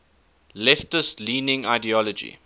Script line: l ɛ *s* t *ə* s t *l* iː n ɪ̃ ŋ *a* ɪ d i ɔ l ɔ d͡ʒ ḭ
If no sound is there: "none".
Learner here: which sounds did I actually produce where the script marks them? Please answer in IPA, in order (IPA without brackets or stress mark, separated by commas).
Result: f, ə, l, a